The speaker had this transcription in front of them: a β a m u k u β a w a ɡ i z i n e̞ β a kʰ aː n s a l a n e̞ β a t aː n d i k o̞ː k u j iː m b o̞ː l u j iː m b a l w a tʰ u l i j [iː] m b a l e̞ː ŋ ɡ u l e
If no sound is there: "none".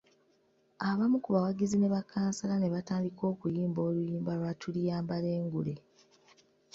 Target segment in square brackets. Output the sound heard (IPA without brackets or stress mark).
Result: aː